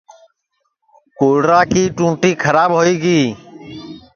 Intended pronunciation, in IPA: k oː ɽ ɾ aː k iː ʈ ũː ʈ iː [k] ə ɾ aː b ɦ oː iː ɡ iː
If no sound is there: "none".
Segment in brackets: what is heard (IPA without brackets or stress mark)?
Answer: kʰ